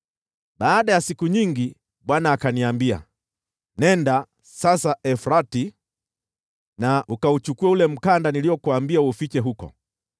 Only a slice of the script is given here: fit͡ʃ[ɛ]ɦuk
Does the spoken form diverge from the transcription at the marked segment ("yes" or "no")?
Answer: no